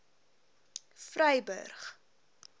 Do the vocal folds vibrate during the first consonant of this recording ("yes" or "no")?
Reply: no